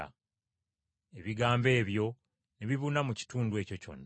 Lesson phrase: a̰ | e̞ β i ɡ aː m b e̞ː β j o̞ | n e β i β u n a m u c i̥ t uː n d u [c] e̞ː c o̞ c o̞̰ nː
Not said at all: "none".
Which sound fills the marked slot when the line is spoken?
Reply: none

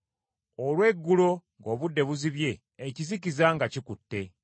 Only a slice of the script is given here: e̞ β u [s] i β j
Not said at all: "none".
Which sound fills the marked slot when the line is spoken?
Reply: z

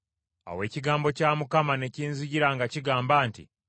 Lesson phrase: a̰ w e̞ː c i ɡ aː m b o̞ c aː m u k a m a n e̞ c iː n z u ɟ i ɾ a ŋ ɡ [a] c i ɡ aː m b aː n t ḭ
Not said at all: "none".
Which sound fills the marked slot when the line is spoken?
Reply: a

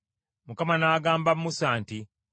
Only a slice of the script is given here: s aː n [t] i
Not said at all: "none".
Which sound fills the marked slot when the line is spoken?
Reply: t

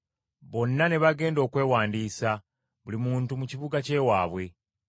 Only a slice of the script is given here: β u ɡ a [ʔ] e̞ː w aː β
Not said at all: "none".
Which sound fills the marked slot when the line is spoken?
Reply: c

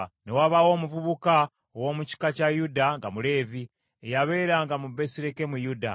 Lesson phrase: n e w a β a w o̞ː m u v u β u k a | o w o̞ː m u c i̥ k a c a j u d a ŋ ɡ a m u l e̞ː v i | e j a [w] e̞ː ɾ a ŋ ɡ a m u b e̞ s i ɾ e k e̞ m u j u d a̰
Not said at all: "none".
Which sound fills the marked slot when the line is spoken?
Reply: β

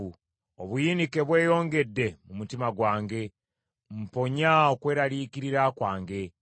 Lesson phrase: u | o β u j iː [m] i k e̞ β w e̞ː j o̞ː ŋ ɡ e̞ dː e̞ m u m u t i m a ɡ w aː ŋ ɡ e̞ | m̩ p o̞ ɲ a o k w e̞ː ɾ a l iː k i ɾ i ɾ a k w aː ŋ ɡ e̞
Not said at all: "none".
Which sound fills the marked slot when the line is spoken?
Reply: n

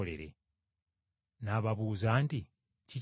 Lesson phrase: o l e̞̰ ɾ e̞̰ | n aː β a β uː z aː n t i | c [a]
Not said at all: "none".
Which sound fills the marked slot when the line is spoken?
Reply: i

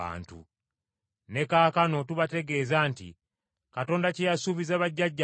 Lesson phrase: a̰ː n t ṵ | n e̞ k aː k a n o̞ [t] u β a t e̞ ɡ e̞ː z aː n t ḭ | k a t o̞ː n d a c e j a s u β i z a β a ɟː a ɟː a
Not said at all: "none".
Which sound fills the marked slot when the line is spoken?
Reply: t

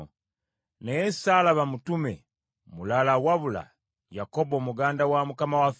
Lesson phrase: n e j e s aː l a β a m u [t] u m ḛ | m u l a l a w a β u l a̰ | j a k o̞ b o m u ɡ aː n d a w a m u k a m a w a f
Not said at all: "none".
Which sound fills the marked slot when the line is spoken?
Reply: t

